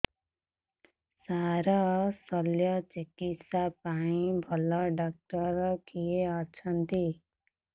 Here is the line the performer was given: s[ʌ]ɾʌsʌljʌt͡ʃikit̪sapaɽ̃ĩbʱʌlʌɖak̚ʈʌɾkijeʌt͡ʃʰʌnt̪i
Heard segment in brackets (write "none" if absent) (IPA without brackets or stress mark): a